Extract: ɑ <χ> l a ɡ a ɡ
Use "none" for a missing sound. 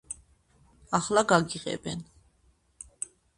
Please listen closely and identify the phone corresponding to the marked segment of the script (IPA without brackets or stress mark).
χ